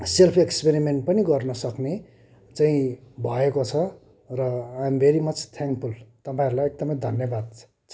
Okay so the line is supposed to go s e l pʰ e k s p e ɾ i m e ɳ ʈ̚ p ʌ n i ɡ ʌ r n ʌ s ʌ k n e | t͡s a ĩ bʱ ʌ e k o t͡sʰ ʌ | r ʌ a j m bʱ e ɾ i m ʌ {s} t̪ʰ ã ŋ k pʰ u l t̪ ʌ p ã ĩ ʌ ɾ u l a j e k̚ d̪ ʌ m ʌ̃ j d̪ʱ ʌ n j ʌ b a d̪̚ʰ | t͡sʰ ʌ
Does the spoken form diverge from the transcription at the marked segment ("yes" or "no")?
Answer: yes